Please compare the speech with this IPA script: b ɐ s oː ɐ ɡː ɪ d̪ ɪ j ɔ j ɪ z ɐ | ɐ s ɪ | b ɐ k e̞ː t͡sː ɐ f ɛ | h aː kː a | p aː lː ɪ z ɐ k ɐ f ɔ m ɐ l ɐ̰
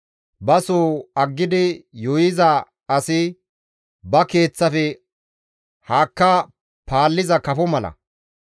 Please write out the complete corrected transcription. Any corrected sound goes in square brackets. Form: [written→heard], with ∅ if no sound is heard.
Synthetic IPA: b ɐ s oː ɐ ɡː ɪ d̪ ɪ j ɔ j ɪ z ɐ | ɐ s ɪ | b ɐ k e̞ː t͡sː ɐ f ɛ | h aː kː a | p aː lː ɪ z ɐ k ɐ f ɔ m ɐ l ɐ̰